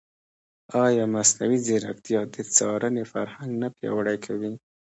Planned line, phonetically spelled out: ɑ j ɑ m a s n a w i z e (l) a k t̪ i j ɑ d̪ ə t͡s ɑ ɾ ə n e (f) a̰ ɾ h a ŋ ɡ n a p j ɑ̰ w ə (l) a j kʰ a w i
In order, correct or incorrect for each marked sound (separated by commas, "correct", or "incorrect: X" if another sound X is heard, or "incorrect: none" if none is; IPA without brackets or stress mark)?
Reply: incorrect: ɾ, correct, incorrect: ɽ